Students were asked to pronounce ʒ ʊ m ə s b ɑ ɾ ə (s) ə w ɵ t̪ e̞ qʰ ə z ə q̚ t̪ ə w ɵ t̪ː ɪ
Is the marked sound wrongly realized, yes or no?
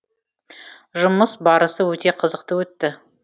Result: no